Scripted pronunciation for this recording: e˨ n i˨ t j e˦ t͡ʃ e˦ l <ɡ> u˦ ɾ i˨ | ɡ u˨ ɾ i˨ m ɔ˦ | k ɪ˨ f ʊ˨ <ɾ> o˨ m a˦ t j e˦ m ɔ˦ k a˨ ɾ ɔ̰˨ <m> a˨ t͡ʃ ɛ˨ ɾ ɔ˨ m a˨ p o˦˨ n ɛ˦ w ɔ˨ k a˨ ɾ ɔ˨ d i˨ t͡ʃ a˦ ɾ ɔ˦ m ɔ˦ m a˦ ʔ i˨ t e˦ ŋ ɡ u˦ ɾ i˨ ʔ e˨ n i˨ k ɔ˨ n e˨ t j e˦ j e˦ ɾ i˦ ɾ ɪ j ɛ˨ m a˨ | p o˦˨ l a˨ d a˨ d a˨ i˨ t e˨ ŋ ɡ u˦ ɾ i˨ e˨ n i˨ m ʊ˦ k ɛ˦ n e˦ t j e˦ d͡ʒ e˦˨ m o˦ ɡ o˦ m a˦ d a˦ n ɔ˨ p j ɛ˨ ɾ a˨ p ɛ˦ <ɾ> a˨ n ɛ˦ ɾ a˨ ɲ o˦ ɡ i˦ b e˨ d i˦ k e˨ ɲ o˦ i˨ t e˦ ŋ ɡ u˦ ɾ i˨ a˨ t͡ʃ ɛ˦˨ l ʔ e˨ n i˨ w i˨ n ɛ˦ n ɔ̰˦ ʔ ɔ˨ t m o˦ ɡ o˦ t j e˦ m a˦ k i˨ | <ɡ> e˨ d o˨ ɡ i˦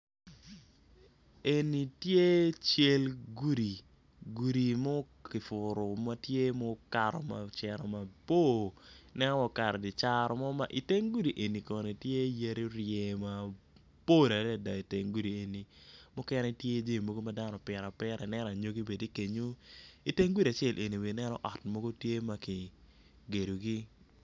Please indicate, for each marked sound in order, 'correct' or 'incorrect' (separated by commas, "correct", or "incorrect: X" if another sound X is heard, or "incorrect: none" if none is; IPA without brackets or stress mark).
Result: correct, correct, correct, correct, correct